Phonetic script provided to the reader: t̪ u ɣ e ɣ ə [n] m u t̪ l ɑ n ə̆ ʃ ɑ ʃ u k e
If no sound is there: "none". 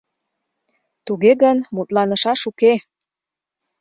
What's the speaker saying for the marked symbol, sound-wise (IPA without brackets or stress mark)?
n